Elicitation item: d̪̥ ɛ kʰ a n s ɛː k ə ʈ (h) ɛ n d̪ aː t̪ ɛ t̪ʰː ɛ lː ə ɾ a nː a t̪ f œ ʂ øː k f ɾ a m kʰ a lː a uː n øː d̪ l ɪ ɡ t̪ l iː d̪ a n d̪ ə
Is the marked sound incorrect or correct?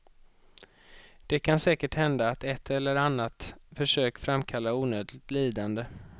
correct